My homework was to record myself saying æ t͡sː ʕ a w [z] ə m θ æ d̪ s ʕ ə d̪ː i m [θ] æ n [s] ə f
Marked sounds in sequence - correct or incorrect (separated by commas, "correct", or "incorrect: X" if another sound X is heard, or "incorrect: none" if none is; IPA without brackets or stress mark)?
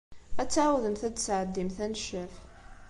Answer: incorrect: ð, correct, incorrect: ʃ